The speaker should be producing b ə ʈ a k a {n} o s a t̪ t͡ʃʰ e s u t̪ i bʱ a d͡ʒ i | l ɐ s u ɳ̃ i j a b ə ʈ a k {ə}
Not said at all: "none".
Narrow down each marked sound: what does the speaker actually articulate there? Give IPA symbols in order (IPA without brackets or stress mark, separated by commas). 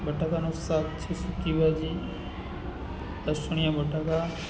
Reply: n, a